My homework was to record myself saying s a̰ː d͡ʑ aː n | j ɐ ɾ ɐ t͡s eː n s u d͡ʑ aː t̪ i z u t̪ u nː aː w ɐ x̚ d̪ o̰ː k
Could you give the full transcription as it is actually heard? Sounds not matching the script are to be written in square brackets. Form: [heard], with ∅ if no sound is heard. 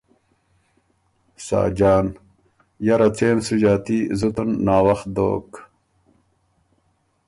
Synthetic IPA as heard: s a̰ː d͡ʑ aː n | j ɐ ɾ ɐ t͡s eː n s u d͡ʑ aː t̪ i z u t̪ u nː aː w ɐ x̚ d̪ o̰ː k